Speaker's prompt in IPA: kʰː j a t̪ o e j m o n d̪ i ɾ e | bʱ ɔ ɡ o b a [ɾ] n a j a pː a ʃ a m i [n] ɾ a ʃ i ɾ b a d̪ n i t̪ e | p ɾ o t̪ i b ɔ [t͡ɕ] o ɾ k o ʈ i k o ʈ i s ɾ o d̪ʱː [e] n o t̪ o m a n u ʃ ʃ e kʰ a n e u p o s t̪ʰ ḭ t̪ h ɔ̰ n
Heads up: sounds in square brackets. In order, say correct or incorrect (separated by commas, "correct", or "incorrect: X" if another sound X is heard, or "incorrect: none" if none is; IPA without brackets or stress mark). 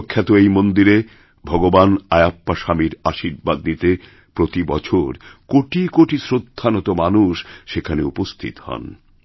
incorrect: none, incorrect: none, incorrect: t͡ɕʰ, incorrect: a